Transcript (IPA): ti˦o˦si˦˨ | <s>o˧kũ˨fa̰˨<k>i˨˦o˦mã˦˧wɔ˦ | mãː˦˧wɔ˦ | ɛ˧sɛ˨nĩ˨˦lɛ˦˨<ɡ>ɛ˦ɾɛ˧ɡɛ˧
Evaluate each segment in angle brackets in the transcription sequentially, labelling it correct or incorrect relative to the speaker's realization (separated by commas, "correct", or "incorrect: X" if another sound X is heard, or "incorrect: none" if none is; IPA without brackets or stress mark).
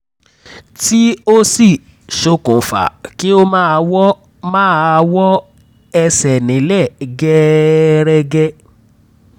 incorrect: ʃ, correct, correct